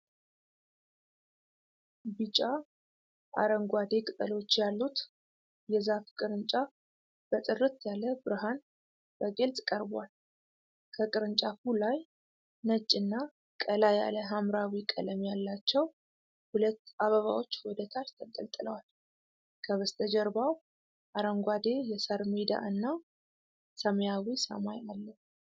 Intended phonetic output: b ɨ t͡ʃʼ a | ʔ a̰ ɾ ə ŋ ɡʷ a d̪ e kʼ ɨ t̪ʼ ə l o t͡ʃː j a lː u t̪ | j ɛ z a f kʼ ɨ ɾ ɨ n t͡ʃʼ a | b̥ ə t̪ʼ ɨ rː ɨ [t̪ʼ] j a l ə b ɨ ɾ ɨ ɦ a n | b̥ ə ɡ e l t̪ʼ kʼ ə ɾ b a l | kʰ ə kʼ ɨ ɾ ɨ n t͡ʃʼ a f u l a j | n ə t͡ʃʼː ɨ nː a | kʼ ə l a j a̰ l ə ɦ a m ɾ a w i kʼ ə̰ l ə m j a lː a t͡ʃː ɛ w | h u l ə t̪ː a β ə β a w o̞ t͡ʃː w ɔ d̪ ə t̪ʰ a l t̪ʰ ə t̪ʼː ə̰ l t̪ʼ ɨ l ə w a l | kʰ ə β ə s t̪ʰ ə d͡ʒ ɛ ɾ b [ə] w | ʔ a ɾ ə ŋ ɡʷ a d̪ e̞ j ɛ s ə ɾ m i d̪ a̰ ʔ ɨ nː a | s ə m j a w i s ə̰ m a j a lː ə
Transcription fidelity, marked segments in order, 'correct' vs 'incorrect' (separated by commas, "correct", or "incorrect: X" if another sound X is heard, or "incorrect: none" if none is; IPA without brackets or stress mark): incorrect: t̪, incorrect: a